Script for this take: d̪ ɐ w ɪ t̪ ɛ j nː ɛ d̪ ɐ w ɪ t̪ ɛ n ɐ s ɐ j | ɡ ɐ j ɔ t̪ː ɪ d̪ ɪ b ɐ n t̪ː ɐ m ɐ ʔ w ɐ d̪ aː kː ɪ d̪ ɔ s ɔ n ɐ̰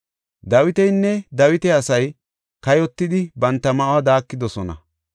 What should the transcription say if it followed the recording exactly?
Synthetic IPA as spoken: d̪ ɐ w ɪ t̪ ɛ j nː ɛ d̪ ɐ w ɪ t̪ ɛ ɐ s ɐ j | k ɐ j ɔ t̪ː ɪ d̪ ɪ b ɐ n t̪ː ɐ m ɐ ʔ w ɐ d̪ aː kː ɪ d̪ ɔ s ɔ n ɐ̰